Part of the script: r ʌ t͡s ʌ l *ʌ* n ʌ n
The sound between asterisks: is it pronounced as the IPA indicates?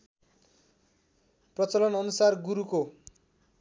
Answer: yes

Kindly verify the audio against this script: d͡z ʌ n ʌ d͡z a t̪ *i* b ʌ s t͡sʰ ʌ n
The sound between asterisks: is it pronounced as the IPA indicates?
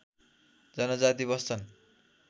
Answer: yes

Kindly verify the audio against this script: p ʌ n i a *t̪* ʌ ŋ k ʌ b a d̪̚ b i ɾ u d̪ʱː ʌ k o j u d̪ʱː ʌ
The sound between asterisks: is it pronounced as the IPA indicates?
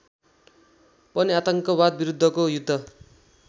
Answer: yes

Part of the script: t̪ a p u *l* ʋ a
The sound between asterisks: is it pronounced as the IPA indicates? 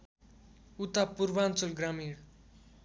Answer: no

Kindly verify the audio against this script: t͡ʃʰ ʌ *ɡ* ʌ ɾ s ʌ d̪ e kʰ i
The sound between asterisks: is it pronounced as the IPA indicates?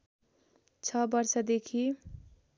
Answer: no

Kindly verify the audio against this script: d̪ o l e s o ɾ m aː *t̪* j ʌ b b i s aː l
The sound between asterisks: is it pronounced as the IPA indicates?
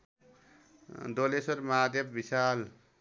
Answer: no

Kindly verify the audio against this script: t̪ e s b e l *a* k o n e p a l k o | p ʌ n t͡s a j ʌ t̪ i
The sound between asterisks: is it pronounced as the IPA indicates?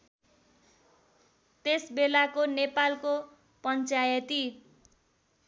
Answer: yes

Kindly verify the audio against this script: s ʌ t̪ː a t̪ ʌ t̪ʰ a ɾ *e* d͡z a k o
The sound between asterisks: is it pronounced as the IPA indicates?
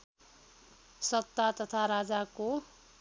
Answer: no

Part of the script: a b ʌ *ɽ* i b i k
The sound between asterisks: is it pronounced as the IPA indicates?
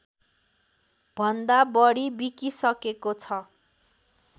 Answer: yes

